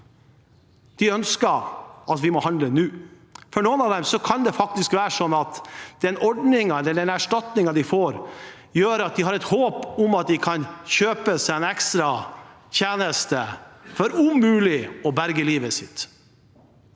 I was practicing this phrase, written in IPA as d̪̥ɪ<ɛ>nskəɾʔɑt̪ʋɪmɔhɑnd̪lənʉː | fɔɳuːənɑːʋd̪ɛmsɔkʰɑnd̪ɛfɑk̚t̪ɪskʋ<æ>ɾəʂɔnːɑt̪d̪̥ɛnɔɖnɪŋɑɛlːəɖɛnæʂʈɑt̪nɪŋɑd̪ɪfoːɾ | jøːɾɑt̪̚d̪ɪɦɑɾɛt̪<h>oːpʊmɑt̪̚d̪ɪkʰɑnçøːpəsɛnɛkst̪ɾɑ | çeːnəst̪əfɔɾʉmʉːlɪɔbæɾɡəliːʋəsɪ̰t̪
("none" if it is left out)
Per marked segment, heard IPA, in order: œ, æː, h

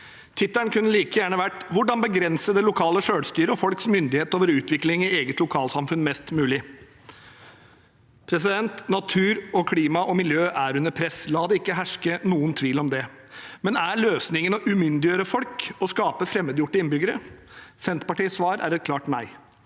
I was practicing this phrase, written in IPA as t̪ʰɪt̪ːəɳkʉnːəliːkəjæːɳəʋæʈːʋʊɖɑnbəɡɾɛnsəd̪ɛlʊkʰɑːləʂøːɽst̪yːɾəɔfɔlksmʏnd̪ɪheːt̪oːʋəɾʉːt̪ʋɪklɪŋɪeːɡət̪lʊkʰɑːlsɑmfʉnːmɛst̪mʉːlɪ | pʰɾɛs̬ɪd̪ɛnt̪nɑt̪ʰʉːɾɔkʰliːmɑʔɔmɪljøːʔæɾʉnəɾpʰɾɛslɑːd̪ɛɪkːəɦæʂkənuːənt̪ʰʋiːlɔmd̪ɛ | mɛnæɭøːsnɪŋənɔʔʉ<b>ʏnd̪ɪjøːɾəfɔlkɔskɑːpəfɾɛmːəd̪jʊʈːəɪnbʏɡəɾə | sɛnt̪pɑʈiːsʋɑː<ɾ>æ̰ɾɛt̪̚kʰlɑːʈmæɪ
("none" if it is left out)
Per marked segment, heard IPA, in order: m, ɾ

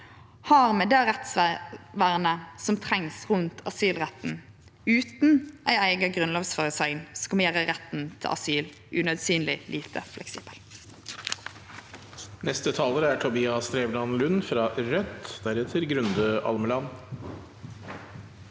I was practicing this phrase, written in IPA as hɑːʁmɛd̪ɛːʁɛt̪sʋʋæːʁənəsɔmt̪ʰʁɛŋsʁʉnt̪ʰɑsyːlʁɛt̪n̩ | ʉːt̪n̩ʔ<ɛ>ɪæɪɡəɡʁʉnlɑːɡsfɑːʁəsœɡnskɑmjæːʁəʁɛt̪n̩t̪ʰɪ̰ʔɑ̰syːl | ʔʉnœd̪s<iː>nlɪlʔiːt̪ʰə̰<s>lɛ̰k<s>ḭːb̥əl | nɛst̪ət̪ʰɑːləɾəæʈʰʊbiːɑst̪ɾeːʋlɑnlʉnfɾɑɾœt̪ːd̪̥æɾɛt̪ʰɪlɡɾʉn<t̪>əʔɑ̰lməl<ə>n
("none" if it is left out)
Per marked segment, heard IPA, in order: æ, yː, f, s, d̪, ɑ

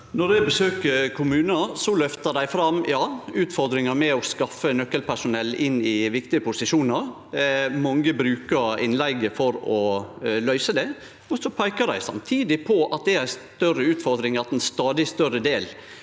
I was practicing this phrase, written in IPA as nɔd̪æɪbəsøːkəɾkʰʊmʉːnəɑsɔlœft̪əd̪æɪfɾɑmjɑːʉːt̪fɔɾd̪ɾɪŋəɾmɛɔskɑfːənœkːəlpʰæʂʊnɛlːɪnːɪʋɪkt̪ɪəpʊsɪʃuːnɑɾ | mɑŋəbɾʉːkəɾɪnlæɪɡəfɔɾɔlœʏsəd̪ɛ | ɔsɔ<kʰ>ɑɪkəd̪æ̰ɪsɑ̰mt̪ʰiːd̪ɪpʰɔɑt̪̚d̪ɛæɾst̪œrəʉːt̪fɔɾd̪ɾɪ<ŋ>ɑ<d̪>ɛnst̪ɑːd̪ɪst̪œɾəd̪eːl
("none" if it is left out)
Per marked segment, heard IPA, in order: pʰ, ŋ, t̪

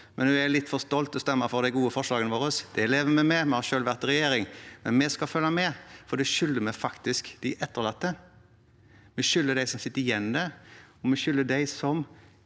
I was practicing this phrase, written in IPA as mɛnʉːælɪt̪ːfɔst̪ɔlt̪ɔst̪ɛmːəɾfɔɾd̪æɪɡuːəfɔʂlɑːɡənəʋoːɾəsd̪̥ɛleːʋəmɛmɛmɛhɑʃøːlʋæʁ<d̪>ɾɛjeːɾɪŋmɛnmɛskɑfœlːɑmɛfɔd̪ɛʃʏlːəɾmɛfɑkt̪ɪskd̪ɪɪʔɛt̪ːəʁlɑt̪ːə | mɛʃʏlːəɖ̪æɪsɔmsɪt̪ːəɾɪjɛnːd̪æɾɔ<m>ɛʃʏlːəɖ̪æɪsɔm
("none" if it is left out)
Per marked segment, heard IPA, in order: t̪, m

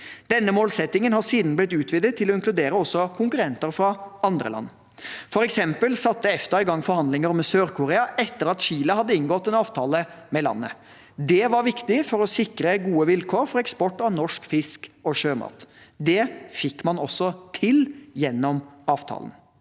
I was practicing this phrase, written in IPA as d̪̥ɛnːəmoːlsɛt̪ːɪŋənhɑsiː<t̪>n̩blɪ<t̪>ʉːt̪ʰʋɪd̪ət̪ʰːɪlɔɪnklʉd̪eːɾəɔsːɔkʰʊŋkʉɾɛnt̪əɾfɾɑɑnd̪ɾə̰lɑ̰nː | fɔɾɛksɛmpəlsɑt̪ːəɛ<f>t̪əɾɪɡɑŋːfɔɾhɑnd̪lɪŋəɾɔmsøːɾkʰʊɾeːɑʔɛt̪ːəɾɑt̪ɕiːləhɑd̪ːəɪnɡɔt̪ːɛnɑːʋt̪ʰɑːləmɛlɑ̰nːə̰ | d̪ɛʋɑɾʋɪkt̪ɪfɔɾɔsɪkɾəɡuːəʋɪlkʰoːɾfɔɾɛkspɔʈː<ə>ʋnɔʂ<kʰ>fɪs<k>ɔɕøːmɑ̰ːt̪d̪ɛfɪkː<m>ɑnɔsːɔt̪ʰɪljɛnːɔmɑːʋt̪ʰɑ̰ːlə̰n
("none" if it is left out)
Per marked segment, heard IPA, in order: d̪, t̪, f, ɑ, k, k, m

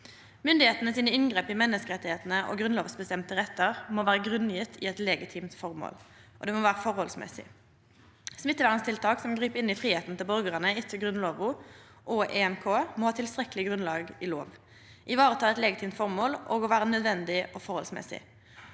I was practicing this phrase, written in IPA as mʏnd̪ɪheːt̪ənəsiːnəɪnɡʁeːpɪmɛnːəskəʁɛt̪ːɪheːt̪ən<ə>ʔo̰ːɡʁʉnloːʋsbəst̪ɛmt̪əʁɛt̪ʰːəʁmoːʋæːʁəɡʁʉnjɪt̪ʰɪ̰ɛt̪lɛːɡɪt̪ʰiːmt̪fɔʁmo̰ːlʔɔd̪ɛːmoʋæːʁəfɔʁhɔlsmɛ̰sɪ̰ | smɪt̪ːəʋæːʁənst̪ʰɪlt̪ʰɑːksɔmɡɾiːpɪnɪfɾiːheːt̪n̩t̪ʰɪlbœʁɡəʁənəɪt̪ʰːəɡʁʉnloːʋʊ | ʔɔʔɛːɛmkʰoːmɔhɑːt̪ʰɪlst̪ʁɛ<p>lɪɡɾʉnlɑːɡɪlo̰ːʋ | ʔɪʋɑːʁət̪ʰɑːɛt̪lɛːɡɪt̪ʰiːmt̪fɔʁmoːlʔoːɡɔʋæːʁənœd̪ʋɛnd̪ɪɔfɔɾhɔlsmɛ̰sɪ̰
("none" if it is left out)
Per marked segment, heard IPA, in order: ə, k

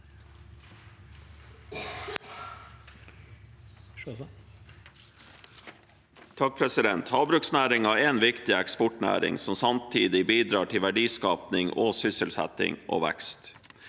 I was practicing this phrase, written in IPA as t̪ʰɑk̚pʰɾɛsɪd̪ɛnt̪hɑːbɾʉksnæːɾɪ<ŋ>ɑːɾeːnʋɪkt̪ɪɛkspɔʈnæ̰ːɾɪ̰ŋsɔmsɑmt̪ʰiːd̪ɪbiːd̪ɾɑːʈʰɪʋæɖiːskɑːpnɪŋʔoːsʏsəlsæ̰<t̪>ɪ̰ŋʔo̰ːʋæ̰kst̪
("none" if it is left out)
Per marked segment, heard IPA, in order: ŋ, t̪

